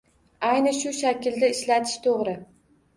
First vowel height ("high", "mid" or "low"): low